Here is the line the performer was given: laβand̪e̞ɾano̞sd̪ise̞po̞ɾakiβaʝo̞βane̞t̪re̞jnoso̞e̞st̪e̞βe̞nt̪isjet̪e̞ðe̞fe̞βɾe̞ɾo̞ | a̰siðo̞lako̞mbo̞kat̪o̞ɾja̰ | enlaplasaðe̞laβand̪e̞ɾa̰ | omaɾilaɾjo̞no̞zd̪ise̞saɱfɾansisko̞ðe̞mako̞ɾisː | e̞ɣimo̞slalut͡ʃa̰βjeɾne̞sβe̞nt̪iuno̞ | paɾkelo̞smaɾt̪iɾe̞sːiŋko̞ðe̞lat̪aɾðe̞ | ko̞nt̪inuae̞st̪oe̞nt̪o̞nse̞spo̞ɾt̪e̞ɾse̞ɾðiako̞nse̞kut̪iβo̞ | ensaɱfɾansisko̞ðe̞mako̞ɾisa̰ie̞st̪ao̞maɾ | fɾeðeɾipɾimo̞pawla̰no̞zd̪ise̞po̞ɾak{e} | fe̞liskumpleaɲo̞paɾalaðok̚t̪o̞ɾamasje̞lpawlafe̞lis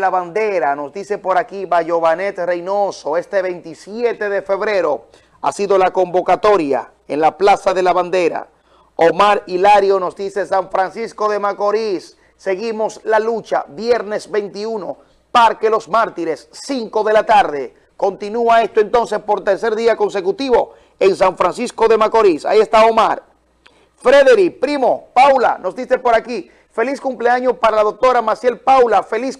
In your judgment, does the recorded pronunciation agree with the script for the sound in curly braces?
no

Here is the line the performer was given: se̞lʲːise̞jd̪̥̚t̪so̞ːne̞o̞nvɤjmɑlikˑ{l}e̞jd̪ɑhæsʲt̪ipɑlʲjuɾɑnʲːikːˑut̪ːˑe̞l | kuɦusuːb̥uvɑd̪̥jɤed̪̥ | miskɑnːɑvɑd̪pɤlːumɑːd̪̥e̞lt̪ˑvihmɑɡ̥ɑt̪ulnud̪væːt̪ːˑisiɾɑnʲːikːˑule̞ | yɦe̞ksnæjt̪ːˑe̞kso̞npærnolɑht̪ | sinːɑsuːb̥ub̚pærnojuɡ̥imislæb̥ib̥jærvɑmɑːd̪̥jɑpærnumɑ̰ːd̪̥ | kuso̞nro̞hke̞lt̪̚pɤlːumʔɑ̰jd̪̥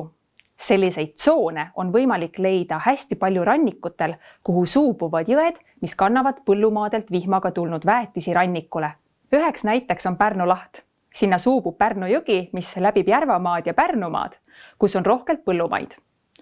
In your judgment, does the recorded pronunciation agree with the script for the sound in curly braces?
yes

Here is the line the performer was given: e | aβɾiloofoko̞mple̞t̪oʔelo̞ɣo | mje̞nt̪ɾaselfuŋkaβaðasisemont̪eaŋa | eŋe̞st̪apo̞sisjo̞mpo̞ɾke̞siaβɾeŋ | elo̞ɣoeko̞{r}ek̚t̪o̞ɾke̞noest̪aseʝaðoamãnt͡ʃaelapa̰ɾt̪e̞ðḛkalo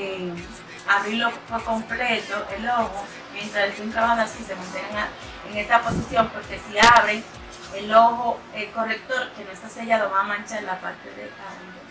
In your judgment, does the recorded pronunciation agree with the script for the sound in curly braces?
yes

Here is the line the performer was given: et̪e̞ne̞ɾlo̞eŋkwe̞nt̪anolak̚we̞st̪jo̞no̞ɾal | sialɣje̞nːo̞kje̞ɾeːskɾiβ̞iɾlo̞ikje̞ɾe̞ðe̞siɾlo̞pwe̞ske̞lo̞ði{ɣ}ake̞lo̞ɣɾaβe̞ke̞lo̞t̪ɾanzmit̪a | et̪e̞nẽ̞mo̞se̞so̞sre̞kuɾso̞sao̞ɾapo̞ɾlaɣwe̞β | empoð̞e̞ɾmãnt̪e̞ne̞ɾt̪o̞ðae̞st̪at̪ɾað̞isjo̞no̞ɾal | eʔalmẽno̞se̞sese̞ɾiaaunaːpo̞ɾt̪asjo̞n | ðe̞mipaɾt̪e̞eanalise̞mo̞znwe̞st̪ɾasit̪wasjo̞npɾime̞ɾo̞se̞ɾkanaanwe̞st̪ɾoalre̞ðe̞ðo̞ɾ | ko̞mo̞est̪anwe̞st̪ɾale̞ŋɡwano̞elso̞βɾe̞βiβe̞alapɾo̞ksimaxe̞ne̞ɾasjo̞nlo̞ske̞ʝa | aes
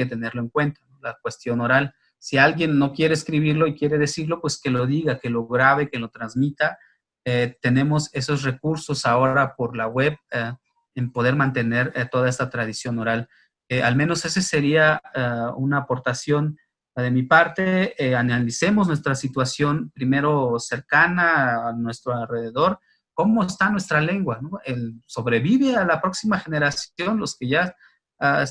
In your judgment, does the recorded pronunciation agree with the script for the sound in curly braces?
yes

